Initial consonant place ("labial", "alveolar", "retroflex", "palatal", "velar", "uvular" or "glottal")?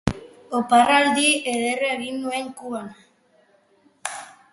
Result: labial